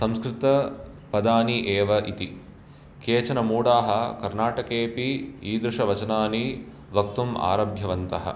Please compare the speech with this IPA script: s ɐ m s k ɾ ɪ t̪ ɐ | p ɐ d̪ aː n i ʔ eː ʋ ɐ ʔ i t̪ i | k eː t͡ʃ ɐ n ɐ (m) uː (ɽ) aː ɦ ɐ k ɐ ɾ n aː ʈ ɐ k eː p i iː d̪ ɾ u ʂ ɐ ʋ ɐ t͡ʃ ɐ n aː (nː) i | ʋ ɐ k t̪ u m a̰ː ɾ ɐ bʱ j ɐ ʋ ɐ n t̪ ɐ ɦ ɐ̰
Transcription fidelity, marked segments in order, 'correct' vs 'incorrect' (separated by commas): correct, correct, incorrect